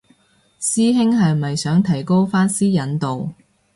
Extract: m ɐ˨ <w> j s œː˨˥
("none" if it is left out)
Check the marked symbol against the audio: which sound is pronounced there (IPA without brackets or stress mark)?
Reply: none